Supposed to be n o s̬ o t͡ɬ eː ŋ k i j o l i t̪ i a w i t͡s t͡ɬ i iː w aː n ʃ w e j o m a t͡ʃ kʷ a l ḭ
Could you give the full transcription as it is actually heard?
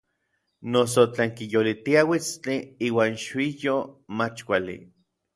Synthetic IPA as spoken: n o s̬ o t͡ɬ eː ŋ k i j o l i t̪ i a w i t͡s t͡ɬ i iː w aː n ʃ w i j o m a t͡ʃ kʷ a l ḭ